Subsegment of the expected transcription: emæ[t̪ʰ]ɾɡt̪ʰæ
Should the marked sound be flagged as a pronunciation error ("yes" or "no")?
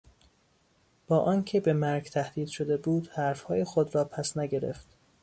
yes